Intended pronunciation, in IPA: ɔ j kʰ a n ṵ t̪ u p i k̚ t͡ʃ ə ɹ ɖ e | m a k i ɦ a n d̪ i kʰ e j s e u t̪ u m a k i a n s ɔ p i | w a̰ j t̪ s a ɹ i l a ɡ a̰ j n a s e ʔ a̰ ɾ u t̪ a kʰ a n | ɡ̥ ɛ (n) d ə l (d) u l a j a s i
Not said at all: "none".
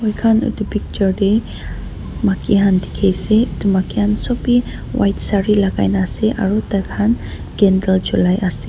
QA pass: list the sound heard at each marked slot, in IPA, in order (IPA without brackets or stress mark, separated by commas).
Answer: n, d͡ʒ